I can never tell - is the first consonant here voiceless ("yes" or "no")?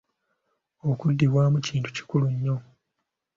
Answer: yes